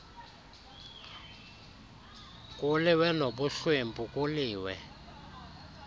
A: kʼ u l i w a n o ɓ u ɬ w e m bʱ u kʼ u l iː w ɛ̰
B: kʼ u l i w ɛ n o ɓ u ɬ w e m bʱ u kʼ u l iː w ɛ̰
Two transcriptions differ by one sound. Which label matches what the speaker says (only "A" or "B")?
B